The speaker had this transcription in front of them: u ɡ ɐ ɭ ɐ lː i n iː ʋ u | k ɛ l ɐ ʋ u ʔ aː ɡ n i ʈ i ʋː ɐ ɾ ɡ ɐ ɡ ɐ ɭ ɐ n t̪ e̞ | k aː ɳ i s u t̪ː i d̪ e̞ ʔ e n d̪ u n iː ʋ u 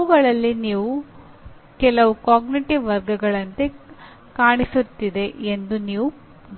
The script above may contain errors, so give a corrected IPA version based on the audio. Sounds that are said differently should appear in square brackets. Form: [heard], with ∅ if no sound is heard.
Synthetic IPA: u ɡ ɐ ɭ ɐ lː i n iː ʋ u | k ɛ l ɐ ʋ u [k] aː ɡ n i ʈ i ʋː ɐ ɾ ɡ ɐ ɡ ɐ ɭ ɐ n t̪ e̞ | k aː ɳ i s u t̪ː i d̪ e̞ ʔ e n d̪ u n iː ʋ u